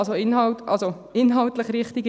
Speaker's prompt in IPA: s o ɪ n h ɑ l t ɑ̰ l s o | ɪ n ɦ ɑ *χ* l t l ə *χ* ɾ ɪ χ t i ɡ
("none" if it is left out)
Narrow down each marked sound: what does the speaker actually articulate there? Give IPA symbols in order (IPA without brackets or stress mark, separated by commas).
none, χ